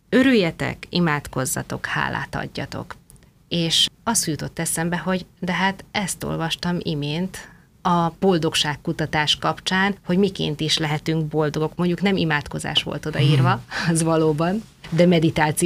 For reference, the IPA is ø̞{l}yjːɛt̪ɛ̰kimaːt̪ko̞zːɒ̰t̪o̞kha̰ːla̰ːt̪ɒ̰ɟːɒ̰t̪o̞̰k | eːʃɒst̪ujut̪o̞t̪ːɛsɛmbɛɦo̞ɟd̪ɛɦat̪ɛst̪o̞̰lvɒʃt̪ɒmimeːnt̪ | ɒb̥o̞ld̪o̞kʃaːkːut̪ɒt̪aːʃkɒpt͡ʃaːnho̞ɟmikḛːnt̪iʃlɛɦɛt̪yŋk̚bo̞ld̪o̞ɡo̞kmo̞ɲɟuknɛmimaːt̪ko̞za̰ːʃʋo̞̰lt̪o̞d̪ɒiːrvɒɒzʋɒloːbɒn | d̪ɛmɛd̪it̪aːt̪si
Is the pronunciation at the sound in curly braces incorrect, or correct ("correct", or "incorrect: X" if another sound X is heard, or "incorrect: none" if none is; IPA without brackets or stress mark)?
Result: incorrect: ɾ